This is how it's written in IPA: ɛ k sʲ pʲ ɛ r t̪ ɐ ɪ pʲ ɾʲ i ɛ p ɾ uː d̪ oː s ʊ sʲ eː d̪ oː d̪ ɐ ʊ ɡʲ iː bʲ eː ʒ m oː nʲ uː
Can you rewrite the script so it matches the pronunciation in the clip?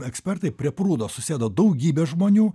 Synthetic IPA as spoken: ɛ k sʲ pʲ ɛ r t̪ ɐ ɪ pʲ ɾʲ i ɛ p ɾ uː d̪ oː s ʊ sʲ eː d̪ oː d̪ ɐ ʊ ɡʲ iː bʲ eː ʒ m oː nʲ uː